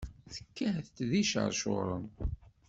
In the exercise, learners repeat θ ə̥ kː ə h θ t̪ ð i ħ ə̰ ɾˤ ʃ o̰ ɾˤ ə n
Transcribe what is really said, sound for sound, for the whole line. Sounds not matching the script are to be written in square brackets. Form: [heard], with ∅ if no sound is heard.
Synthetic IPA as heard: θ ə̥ kː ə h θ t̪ ð i [ʃ] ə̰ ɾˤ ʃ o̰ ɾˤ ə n